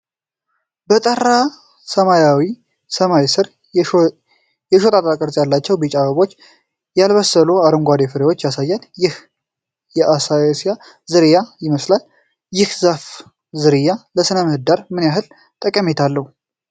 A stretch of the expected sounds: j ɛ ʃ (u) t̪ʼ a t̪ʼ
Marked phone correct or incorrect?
incorrect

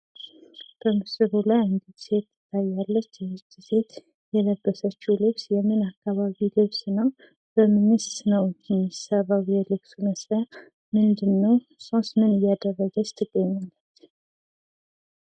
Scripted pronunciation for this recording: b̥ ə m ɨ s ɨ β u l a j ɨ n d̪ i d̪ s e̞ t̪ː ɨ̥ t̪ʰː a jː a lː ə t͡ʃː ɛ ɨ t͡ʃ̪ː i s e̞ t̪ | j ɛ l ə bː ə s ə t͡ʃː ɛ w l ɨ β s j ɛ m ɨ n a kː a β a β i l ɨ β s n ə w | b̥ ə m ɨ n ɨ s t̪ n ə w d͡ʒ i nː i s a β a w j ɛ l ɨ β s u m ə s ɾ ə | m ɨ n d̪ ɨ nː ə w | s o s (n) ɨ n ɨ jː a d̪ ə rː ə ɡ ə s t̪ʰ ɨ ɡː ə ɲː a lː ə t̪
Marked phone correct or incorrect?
incorrect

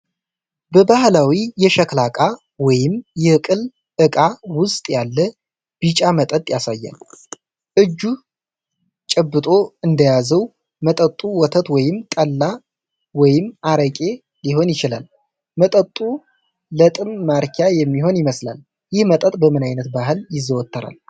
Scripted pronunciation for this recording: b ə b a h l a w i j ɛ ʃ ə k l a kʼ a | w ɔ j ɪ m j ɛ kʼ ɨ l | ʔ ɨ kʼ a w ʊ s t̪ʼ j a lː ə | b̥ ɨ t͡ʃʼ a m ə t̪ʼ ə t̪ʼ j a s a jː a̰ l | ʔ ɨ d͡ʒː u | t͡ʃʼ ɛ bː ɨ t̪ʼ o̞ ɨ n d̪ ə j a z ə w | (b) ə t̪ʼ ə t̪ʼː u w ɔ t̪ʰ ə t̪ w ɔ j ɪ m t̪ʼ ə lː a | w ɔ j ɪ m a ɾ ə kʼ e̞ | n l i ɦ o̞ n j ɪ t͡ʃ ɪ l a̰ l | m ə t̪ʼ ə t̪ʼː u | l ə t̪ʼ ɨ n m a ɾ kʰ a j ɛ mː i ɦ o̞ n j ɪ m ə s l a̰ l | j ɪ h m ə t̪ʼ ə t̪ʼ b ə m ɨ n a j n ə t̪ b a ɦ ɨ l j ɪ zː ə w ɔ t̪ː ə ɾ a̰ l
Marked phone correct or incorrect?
incorrect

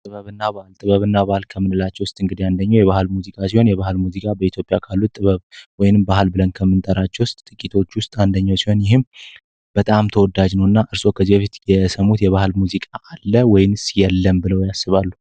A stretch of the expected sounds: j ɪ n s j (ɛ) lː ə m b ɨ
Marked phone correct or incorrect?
correct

